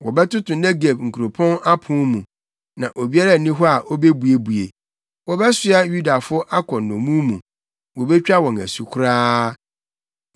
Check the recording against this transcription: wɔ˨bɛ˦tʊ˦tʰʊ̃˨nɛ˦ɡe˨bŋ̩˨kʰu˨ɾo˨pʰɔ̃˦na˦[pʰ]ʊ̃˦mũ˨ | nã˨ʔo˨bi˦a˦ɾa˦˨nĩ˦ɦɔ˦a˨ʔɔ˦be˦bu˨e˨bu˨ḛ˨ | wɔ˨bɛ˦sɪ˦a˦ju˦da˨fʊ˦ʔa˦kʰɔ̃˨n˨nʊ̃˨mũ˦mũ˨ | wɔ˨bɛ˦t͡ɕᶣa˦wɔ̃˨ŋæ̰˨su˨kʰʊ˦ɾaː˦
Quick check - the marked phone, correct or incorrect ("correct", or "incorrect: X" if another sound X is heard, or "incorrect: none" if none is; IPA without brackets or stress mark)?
correct